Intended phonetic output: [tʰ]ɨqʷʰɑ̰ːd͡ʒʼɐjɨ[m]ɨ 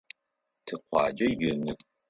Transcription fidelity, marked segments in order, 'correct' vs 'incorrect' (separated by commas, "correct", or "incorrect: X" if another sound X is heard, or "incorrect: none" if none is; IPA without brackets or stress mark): correct, incorrect: n